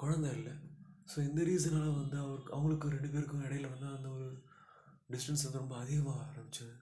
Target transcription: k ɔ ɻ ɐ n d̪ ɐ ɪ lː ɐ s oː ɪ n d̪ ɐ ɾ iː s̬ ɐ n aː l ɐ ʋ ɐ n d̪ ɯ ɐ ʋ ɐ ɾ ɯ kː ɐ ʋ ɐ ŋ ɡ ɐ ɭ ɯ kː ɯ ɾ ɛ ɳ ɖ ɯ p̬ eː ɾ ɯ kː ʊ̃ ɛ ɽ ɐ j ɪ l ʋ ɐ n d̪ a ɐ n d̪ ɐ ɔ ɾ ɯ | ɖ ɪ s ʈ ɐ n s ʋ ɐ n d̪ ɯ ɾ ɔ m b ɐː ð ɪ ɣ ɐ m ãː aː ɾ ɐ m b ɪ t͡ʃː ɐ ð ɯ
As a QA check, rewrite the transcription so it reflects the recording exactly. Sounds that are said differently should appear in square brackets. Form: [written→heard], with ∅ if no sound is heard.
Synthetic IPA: k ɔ ɻ ɐ n d̪ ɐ ɪ lː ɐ s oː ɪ n d̪ ɐ ɾ iː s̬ ɐ n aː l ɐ ʋ ɐ n d̪ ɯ ɐ ʋ ɐ ɾ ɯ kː ɐ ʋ ɐ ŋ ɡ ɐ ɭ ɯ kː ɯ ɾ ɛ ɳ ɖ ɯ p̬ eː ɾ ɯ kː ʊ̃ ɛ ɽ ɐ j ɪ l ʋ ɐ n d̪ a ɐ n d̪ ɐ ɔ ɾ ɯ | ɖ ɪ s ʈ ɐ n s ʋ ɐ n d̪ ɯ ɾ ɔ m b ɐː ð ɪ ɣ ɐ m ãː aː ɾ ɐ m b ɪ t͡ʃː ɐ ð ɯ